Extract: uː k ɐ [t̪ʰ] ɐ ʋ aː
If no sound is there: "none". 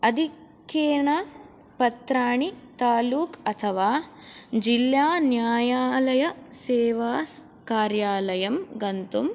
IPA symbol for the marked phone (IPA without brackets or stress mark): t̪ʰ